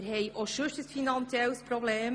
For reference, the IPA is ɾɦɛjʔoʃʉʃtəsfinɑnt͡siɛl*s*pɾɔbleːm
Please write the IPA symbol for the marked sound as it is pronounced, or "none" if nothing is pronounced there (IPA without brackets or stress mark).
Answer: s